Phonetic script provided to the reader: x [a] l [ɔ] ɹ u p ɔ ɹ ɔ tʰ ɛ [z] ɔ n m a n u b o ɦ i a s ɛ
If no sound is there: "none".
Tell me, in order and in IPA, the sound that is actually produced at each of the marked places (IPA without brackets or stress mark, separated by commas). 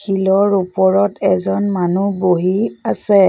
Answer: i, ɔ, z